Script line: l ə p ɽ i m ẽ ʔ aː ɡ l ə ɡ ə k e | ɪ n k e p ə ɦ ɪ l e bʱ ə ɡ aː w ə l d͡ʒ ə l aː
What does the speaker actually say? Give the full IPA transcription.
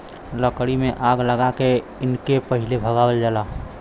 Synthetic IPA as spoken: l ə k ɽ i m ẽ ʔ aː ɡ l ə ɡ a k e | ɪ n k e p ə ɦ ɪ l e bʱ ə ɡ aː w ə l d͡ʒ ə l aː

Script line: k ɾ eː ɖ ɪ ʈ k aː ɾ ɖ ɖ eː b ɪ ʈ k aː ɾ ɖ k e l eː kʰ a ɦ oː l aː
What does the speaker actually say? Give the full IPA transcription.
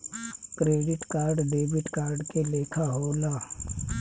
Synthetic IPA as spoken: k ɾ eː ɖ ɪ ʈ k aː ɾ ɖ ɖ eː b ɪ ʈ k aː ɾ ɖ k e l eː kʰ a ɦ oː l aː

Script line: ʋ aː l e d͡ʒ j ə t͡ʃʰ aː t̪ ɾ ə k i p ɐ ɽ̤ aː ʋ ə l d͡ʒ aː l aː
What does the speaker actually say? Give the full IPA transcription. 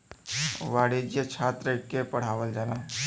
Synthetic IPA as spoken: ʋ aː ɽ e d͡ʒ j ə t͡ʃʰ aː t̪ ɾ ə k e p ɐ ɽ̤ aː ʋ ə l d͡ʒ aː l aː

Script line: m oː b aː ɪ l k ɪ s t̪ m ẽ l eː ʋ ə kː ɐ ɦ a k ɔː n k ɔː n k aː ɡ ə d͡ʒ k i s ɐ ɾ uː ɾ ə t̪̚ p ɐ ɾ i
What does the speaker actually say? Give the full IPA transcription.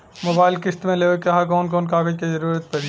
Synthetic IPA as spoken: m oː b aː ɪ l k ɪ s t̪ m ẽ l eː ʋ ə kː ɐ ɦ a k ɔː n k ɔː n k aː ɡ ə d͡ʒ k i z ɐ ɾ uː ɾ ə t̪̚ p ɐ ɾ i

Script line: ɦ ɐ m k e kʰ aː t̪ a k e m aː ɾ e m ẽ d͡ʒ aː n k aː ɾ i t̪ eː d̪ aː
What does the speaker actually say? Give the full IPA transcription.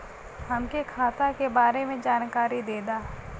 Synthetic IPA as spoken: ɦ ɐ m k e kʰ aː t̪ a k e b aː ɾ e m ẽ d͡ʒ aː n k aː ɾ i d̪ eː d̪ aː

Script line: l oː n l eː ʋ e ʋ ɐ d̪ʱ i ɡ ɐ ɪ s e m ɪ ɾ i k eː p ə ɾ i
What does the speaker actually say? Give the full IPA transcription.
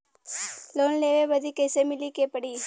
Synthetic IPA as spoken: l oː n l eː ʋ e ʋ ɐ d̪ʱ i k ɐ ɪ s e m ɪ l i k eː p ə ɽ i

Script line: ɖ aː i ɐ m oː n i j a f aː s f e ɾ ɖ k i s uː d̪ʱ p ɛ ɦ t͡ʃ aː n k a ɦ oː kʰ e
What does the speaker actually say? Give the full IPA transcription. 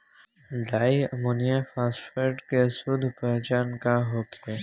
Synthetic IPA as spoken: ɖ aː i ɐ m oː n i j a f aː s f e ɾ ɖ k e s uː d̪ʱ p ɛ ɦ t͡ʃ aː n k a ɦ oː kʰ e

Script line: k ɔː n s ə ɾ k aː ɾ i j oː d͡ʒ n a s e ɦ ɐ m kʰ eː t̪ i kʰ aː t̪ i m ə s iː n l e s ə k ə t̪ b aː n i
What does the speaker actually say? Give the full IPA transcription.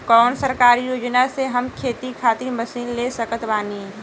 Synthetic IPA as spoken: k ɔː n s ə ɾ k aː ɾ i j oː d͡ʒ n a s e ɦ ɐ m kʰ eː t̪ i kʰ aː t̪ i m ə s iː n l e s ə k ə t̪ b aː n i

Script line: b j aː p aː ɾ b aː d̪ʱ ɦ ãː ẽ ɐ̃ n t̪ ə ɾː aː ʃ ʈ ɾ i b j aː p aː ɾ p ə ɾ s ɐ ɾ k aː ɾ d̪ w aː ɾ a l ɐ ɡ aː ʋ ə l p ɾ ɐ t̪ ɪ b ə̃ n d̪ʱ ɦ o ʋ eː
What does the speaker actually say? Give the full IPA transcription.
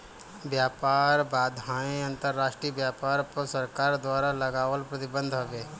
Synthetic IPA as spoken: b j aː p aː ɾ b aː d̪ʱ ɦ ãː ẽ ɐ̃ n t̪ ə ɾː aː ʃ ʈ ɾ i b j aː p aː ɾ p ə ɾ s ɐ ɾ k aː ɾ d̪ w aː ɾ a l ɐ ɡ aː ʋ ə l p ɾ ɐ t̪ ɪ b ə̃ n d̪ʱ ɦ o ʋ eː

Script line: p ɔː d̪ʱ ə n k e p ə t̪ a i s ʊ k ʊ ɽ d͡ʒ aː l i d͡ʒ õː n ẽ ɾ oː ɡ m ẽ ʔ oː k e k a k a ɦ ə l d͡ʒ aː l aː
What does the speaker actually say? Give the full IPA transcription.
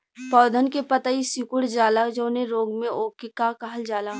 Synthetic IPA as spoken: p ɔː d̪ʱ ə n k e p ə t̪ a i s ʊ k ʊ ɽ d͡ʒ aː l a d͡ʒ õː n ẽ ɾ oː ɡ m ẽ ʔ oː k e k a k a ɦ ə l d͡ʒ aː l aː

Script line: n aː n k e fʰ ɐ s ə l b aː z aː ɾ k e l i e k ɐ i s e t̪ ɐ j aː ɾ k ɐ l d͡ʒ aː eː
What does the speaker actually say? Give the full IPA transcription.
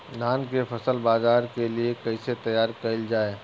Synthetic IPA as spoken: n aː n k e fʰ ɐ s ə l b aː z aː ɾ k e l i e k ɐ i s e t̪ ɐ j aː ɾ k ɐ l d͡ʒ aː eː

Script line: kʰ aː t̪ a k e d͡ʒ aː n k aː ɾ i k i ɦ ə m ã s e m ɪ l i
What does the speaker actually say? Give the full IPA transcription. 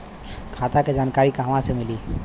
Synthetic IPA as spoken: kʰ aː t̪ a k e d͡ʒ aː n k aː ɾ i k a ɦ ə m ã s e m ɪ l i

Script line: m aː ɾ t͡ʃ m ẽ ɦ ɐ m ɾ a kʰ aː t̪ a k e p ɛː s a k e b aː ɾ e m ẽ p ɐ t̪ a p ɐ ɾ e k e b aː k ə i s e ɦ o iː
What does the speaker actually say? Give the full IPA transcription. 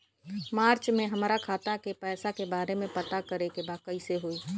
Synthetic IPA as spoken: m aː ɾ t͡ʃ m ẽ ɦ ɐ m ɾ a kʰ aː t̪ a k e p ɛː s a k e b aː ɾ e m ẽ p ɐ t̪ a k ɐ ɾ e k e b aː k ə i s e ɦ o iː

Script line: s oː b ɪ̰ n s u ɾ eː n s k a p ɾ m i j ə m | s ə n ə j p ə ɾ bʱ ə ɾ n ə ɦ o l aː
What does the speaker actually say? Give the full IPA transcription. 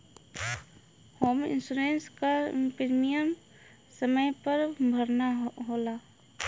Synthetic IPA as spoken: h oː m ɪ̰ n s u ɾ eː n s k a p ɾ m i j ə m | s ə m ə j p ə ɾ bʱ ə ɾ n a ɦ o l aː

